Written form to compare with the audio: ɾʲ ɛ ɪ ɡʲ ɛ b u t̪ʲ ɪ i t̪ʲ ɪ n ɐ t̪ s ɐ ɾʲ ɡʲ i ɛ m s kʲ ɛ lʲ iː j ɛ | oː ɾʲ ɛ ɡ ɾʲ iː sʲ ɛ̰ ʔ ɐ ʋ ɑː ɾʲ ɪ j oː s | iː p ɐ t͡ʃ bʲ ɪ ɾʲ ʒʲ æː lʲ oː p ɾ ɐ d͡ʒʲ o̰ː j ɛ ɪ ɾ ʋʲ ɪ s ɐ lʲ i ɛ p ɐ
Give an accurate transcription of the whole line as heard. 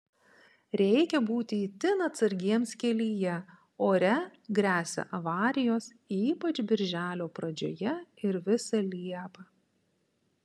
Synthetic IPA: ɾʲ ɛ ɪ kʲ ɛ b uː t̪ʲ ɪ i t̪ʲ ɪ n ɐ t̪ s ɐ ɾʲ ɡʲ i ɛ m s kʲ ɛ lʲ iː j ɛ | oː ɾʲ ɛ ɡ ɾʲ æː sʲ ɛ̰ ʔ ɐ ʋ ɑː ɾʲ ɪ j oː s | iː p ɐ t͡ʃ bʲ ɪ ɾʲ ʒʲ æː lʲ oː p ɾ ɐ d͡ʒʲ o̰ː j ɛ ɪ ɾ ʋʲ ɪ s ɐ lʲ i ɛ p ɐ